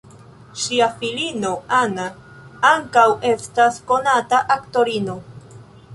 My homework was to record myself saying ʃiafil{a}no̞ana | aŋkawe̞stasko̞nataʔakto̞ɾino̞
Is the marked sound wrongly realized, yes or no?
yes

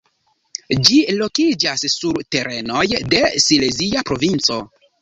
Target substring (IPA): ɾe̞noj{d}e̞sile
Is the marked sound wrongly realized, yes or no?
no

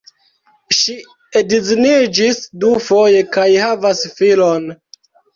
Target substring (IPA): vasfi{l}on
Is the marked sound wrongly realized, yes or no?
no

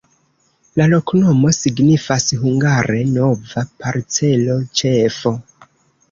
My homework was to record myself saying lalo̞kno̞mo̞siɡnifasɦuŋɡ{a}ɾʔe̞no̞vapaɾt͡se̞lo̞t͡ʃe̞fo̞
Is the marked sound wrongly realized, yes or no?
no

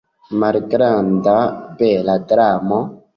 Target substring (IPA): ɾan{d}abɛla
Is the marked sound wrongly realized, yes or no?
no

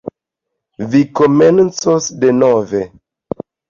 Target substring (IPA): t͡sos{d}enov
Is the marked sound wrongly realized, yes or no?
no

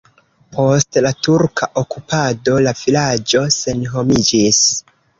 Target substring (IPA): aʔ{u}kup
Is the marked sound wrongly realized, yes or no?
yes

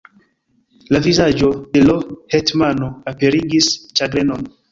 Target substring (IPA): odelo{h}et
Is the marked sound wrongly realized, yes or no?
no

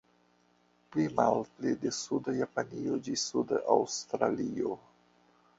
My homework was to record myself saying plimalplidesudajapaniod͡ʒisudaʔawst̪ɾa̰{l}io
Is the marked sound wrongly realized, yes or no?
no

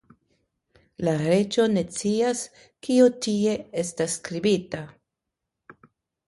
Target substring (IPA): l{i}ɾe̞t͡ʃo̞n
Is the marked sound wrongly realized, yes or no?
yes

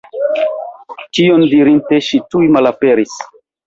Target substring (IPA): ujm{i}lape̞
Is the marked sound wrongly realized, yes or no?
yes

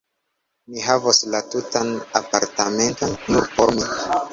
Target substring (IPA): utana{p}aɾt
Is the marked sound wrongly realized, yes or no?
no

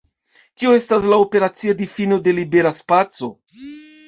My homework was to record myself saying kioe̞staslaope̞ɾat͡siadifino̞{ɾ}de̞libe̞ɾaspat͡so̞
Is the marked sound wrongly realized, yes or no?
yes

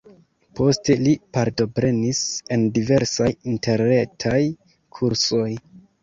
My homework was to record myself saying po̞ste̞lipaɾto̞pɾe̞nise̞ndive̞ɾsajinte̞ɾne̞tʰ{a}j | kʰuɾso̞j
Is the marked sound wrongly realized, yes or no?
no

